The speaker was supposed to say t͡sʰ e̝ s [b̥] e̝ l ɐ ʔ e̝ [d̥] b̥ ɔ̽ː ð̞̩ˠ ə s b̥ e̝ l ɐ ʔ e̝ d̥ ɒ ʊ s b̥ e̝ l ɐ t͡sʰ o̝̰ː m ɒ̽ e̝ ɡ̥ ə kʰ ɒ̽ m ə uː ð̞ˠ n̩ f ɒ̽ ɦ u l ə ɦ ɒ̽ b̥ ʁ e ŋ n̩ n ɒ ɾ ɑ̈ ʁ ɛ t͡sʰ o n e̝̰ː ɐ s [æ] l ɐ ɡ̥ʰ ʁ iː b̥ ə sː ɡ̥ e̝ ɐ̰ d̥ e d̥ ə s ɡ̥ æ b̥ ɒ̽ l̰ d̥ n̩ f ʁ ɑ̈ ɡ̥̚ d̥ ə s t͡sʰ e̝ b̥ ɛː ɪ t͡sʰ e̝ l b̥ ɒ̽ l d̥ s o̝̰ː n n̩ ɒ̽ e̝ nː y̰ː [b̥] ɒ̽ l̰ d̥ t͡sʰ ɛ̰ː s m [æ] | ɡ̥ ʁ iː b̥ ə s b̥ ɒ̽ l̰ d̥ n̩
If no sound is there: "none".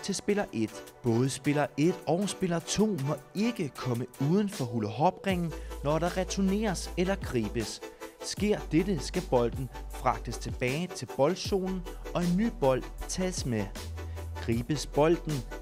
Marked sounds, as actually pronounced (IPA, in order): b̥, d̥, e, b̥, e

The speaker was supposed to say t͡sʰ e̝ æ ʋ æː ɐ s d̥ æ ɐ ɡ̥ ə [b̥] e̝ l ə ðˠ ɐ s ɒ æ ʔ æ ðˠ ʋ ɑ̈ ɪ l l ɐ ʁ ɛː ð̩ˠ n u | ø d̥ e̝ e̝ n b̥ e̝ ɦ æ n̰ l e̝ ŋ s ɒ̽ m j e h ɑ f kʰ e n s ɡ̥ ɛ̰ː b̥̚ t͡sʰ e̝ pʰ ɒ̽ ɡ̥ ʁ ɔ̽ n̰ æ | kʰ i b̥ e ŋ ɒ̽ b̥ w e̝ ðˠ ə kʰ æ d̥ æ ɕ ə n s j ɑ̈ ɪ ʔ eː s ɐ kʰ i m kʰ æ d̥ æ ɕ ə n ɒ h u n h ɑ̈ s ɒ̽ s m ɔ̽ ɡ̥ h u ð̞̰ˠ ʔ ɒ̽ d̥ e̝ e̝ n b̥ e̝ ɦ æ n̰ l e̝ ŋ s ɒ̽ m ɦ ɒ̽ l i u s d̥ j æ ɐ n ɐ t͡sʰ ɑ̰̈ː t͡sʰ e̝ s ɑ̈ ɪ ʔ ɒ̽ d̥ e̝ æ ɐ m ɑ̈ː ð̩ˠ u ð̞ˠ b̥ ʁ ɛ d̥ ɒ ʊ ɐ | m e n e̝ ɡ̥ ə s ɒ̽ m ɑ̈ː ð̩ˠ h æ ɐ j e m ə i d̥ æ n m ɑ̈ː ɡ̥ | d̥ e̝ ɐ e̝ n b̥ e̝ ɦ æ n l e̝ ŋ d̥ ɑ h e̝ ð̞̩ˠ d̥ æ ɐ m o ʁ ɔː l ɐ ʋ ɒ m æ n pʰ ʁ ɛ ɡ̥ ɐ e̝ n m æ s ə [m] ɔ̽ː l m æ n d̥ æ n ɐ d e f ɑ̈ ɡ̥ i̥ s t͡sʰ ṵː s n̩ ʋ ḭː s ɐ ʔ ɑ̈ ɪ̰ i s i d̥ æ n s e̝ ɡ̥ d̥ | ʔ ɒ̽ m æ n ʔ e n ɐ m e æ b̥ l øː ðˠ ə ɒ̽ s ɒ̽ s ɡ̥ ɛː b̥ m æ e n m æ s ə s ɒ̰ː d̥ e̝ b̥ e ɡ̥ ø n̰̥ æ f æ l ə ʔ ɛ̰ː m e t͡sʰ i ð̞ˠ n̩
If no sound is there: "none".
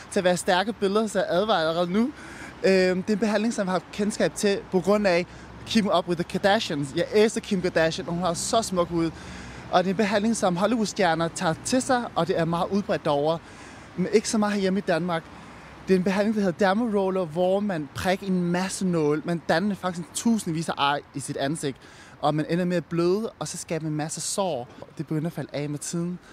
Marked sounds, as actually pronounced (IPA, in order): b̥, n

